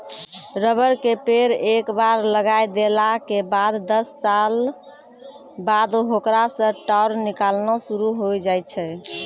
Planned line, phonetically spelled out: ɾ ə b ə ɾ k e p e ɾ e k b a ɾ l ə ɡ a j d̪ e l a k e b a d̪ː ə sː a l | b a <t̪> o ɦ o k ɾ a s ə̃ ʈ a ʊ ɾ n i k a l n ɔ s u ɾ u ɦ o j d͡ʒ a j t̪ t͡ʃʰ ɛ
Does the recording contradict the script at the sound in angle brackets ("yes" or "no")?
yes